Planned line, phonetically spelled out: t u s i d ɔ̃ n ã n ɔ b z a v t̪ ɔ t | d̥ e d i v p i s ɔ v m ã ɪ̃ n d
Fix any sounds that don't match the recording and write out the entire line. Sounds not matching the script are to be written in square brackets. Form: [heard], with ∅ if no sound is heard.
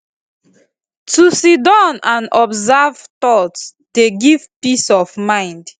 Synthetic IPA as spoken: t u s i d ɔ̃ n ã n ɔ b z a v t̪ ɔ t | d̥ e [ɡ] i v p i s ɔ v m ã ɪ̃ n d

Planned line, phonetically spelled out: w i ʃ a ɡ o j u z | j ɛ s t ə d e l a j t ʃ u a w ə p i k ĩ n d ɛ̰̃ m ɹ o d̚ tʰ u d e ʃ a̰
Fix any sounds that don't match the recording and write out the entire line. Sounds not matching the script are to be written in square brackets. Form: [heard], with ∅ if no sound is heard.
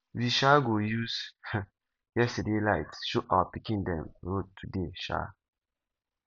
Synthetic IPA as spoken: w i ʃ a ɡ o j u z | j ɛ s t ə d e l a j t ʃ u a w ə p i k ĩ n d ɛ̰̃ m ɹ o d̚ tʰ u d e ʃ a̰

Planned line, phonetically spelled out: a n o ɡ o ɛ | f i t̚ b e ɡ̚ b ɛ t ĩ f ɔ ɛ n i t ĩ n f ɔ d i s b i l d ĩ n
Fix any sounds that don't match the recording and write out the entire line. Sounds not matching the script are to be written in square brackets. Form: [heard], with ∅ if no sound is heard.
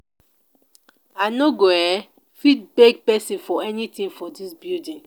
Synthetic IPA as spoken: a n o ɡ o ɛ | f i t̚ b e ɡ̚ [p] ɛ [s] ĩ f ɔ ɛ n i t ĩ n f ɔ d i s b i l d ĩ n

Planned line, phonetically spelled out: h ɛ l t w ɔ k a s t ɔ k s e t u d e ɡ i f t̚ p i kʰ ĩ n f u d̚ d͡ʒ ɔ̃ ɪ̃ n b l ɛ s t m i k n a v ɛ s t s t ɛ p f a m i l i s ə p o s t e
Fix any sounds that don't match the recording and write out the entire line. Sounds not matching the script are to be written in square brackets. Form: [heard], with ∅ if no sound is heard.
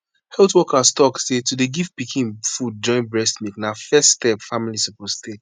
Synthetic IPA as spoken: h ɛ l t w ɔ k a s t ɔ k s e t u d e ɡ i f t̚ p i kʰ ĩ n f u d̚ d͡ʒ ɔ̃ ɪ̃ n b [ɹ] ɛ s t m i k n a [f] ɛ s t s t ɛ p f a m i l i s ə p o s t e

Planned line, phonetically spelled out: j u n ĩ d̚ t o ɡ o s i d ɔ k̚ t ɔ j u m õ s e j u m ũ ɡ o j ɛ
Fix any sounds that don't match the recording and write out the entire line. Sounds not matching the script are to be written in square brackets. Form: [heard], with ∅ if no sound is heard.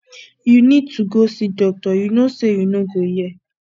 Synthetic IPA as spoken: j u n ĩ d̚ t [u] ɡ o s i d ɔ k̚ t ɔ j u [n] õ s e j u [n] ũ ɡ o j ɛ

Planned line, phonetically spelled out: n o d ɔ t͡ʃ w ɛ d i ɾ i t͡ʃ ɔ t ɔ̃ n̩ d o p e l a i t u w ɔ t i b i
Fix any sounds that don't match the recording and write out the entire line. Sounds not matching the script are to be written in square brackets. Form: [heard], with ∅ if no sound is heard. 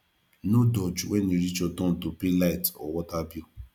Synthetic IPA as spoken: n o d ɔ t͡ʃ w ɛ [n] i ɾ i t͡ʃ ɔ t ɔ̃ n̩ [t] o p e l a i t [ɔ] w ɔ t [a] b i

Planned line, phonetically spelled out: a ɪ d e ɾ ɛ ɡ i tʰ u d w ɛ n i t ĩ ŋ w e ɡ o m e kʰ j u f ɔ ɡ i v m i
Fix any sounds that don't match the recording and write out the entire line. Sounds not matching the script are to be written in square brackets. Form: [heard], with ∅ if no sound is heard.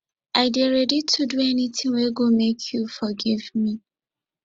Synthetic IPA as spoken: a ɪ d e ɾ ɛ [d] i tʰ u d [u] ɛ n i t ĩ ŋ w e ɡ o m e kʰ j u f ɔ ɡ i v m i

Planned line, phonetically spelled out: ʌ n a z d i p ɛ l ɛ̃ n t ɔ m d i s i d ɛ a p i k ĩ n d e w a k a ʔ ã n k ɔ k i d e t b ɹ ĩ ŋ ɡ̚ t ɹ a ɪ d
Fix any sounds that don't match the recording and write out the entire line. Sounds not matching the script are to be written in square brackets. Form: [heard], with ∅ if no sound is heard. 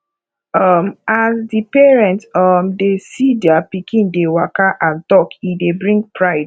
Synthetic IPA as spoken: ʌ [m] a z d i p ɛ [ɹ] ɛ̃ n t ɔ m d [e] s i d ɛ a p i k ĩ n d e w a k a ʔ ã n [t] ɔ k i d e [∅] b ɹ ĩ ŋ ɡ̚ [p] ɹ a ɪ d

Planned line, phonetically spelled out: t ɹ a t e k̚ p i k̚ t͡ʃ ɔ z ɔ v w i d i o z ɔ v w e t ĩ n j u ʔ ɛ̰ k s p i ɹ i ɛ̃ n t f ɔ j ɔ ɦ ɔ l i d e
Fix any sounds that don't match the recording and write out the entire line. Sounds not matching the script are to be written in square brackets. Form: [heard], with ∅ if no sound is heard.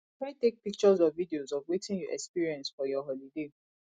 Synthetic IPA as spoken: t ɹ a t e k̚ p i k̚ t͡ʃ ɔ z ɔ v [v] i d i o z ɔ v w e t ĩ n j u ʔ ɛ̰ k s p i ɹ i ɛ̃ n [s] f ɔ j ɔ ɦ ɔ l i d e

